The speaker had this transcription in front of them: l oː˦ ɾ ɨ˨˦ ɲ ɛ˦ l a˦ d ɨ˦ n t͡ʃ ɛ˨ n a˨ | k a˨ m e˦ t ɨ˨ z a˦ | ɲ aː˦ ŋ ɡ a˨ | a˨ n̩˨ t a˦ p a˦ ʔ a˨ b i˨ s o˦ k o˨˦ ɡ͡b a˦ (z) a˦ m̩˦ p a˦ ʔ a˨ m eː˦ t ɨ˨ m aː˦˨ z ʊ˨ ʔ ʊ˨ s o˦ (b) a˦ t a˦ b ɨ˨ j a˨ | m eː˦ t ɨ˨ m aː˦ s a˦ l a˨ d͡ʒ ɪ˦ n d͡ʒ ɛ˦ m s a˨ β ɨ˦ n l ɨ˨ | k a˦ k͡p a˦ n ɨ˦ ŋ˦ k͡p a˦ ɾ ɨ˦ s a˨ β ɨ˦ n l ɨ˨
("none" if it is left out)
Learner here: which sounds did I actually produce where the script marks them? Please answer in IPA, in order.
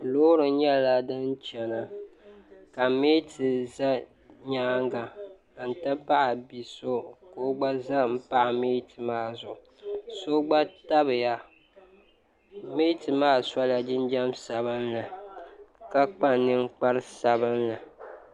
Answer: z, ɡ͡b

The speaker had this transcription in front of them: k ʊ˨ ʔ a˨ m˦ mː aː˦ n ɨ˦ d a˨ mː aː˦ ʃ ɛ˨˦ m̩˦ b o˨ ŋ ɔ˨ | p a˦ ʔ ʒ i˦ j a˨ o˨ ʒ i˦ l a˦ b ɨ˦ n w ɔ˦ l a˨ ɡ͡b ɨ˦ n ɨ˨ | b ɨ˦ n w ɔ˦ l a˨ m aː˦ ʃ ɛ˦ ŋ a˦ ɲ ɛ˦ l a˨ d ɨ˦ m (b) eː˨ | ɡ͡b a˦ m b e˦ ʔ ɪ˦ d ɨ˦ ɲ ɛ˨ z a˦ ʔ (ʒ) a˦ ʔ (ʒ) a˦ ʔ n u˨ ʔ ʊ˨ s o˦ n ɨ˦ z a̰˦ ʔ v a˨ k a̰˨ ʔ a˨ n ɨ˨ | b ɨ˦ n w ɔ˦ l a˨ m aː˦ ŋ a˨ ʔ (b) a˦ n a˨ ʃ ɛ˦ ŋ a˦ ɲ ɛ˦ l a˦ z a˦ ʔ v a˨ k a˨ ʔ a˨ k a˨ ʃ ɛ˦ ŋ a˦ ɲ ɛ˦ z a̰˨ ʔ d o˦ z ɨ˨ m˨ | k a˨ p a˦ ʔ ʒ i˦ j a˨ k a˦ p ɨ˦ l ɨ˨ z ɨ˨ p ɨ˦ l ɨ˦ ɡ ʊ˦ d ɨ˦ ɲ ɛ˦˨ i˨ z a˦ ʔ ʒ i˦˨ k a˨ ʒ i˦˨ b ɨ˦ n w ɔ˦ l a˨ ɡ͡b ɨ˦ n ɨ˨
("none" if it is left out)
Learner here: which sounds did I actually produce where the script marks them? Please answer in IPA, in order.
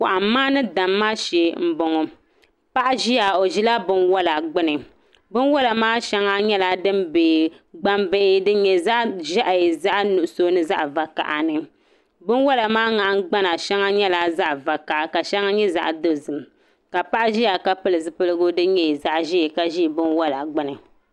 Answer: b, ʒ, z, ɡ͡b

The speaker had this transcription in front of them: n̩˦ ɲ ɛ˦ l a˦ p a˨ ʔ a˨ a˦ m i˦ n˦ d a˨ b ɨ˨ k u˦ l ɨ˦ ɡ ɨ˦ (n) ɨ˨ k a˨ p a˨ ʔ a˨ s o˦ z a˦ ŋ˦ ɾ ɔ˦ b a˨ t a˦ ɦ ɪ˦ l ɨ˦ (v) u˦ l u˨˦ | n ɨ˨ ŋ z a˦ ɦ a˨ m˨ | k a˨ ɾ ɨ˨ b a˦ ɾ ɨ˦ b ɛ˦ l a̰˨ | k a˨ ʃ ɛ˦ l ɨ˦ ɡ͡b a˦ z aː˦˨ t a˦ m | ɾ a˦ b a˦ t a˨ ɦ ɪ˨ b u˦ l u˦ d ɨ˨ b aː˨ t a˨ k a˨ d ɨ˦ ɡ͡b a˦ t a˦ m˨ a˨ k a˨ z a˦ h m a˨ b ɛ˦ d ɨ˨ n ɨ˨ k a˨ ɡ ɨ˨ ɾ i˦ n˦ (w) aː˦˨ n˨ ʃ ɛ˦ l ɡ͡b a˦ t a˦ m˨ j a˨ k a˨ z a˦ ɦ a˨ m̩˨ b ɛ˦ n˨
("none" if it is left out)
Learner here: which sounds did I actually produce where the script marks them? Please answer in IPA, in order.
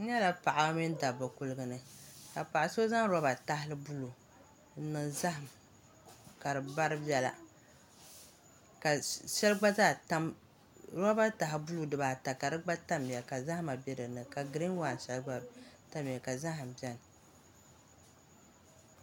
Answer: n, b, w

